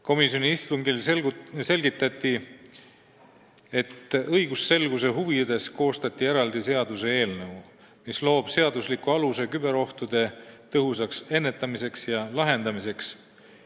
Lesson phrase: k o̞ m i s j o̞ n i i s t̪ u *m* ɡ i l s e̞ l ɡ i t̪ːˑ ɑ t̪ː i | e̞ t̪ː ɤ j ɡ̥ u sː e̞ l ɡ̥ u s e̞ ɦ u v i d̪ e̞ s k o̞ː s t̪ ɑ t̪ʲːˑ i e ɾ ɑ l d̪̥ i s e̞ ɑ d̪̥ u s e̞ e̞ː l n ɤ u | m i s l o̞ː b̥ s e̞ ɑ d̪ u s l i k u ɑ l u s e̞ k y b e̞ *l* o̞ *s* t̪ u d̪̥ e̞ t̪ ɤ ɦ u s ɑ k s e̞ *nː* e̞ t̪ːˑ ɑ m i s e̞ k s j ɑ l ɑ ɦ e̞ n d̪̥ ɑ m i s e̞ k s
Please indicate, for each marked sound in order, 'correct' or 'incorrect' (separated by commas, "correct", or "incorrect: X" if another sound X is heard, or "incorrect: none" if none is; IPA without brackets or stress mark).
incorrect: ŋ, incorrect: ɾ, incorrect: h, correct